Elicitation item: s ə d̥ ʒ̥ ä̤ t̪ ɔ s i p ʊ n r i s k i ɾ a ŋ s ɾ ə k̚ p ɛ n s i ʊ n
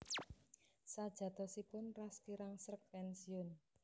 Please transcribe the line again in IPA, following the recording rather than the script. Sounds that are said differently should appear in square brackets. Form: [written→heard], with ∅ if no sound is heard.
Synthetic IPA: s [ə→a] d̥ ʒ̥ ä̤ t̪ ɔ s i p ʊ n r [i→a] s k i ɾ a ŋ s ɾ ə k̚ p ɛ n s i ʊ n